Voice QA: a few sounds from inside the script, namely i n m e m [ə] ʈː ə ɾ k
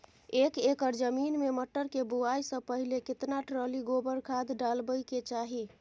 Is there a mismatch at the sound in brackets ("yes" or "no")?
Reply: no